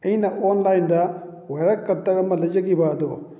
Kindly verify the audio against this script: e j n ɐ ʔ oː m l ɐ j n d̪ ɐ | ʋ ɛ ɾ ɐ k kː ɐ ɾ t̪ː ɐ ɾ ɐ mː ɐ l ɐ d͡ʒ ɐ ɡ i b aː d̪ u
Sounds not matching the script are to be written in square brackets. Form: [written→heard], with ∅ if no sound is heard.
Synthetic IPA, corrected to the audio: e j n ɐ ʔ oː [m→n] l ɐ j n d̪ ɐ | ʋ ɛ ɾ ɐ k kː ɐ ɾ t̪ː ɐ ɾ ɐ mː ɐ l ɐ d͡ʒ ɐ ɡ i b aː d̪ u